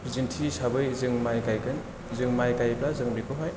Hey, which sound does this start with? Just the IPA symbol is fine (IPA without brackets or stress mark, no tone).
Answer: z